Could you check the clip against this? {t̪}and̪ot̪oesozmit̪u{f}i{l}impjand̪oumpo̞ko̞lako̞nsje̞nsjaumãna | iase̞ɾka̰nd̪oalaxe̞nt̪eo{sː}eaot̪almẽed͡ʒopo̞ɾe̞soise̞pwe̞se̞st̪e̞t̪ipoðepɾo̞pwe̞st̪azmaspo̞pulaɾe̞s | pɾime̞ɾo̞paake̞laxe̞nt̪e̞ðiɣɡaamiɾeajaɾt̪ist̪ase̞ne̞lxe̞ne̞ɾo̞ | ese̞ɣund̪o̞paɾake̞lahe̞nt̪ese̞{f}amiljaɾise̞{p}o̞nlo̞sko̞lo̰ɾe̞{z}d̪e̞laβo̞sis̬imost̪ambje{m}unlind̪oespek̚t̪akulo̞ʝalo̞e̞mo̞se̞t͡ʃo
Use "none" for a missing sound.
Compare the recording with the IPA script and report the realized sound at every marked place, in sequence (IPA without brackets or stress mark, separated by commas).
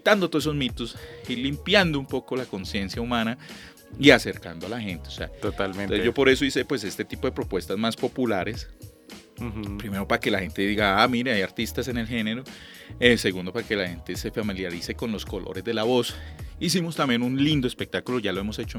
t̪, s, l, s, f, k, z, n